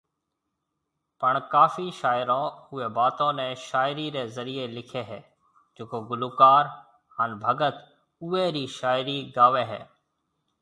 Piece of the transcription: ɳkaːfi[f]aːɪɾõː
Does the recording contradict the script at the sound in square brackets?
yes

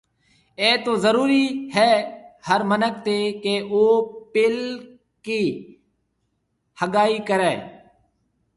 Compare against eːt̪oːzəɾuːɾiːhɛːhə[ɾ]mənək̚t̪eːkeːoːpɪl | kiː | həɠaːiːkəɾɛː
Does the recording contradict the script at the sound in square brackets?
no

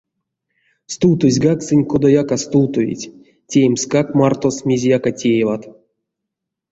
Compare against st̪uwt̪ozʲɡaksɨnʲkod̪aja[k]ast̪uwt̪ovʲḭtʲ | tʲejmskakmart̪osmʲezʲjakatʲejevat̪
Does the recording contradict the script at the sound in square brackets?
no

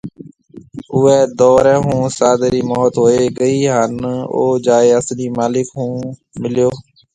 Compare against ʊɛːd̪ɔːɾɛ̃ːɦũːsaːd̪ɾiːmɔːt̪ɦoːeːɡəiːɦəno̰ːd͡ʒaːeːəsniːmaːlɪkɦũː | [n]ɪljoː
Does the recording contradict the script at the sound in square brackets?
yes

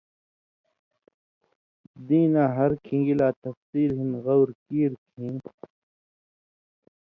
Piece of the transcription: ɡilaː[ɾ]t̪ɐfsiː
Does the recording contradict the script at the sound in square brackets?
yes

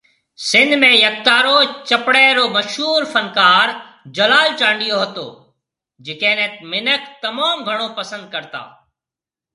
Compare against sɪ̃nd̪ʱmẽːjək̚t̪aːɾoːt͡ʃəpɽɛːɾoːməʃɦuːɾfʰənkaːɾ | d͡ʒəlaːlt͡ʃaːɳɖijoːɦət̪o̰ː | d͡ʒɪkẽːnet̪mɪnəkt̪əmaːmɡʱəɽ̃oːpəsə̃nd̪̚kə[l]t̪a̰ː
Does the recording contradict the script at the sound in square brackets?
yes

